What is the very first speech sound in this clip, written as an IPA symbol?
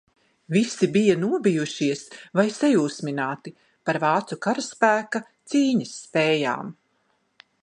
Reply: v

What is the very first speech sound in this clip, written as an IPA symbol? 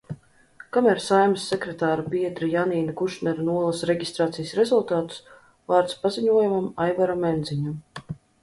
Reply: k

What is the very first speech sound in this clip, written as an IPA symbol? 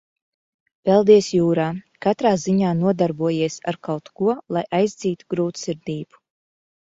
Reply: p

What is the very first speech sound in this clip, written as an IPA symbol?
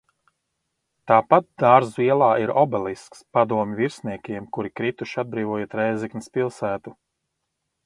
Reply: t̪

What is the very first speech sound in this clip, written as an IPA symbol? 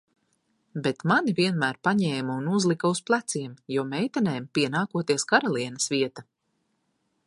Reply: b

